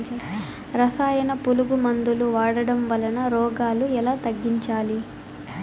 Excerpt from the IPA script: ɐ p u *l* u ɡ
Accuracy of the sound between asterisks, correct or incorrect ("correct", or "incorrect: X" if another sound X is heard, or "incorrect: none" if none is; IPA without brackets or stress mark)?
correct